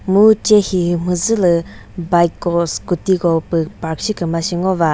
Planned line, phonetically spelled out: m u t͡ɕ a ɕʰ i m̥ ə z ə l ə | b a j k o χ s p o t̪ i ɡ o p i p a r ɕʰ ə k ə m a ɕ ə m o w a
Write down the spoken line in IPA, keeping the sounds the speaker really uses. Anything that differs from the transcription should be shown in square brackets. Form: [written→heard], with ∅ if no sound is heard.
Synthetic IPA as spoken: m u t͡ɕ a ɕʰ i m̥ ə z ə l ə | b a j k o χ s [p→k] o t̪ i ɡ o p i p a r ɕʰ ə k ə m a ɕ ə [m→ŋ] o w a